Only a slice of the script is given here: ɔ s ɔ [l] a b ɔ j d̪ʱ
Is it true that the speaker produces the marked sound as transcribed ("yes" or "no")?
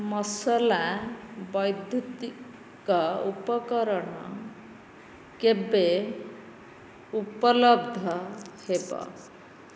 yes